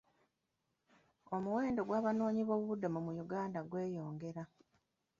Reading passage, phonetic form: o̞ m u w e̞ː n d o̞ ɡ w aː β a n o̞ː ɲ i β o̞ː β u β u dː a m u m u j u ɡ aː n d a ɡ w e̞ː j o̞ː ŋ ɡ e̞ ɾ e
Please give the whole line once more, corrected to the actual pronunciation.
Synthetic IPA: o̞ m u w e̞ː n d o̞ ɡ w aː β a n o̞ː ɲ i β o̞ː β u β u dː a m u m u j u ɡ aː n d a ɡ w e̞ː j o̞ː ŋ ɡ e̞ ɾ a